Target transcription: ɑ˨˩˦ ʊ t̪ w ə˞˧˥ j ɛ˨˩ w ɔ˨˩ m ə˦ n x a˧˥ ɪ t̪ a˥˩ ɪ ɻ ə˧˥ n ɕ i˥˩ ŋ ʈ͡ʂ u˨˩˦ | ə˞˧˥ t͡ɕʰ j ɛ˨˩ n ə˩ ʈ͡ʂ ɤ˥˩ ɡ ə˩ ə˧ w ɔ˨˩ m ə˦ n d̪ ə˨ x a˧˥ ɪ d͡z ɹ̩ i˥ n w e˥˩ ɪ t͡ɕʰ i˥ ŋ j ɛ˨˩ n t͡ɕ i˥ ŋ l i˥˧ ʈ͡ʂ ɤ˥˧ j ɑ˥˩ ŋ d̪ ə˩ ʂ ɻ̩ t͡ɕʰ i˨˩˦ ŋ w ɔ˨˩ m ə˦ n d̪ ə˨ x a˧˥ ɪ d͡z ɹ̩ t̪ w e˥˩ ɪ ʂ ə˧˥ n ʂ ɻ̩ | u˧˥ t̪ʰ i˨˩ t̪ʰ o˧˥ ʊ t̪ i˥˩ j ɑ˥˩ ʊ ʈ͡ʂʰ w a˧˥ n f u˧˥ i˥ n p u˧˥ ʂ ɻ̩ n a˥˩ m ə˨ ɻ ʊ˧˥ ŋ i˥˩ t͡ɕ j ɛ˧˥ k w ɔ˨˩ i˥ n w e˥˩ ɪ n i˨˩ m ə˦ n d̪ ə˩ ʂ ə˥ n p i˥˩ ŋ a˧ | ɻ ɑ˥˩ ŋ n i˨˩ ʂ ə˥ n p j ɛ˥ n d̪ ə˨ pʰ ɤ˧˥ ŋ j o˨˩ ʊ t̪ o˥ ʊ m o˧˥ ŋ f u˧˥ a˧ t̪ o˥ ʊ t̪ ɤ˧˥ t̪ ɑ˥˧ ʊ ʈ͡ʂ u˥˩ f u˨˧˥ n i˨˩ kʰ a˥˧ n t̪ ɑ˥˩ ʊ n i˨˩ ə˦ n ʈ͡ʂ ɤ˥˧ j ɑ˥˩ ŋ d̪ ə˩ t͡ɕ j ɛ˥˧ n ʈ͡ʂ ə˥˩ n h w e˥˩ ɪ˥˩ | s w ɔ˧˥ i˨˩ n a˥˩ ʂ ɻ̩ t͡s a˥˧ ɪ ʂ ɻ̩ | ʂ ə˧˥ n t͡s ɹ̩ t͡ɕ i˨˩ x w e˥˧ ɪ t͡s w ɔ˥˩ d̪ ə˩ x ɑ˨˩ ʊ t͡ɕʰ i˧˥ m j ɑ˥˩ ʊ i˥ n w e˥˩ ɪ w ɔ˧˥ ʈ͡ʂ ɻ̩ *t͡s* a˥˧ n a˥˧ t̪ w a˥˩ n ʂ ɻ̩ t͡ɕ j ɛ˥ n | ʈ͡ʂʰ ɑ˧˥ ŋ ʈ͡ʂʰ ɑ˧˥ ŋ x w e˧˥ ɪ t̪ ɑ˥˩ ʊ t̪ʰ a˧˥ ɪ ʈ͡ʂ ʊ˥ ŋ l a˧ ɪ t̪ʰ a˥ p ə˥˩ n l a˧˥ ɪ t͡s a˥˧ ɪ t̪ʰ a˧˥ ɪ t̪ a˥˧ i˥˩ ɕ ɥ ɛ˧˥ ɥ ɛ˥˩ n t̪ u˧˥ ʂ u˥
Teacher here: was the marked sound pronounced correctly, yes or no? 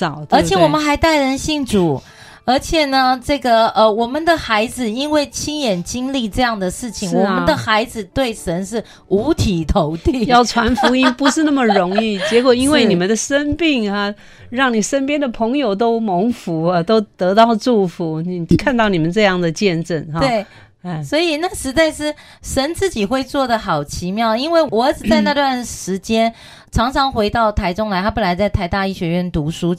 yes